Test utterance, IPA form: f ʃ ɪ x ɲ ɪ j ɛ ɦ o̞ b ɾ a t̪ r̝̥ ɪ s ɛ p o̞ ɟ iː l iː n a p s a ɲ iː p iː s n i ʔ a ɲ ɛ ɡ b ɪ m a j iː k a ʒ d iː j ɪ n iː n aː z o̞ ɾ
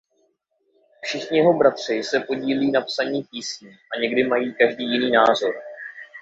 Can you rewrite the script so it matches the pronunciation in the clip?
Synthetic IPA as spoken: f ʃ ɪ x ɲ ɪ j ɛ ɦ o̞ b ɾ a t̪ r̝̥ ɪ s ɛ p o̞ ɟ iː l iː n a p s a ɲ iː p iː s ɲ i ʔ a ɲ ɛ ɡ d ɪ m a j iː k a ʒ d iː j ɪ n iː n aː z o̞ ɾ